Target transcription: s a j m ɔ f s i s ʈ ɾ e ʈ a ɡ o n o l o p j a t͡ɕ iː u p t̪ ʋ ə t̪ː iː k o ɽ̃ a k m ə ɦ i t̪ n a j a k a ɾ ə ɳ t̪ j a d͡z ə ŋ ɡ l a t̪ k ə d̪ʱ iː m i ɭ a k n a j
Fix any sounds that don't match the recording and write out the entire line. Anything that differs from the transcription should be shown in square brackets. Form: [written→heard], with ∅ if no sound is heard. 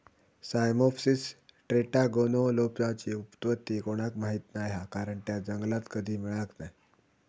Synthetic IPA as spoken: s a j m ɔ f s i s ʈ ɾ e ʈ a ɡ o n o l o p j a t͡ɕ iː u p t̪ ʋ ə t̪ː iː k o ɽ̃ a k m [ə→a] ɦ i t̪ n a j a k a ɾ ə ɳ t̪ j a d͡z ə ŋ ɡ l a t̪ k ə d̪ʱ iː m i ɭ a k n a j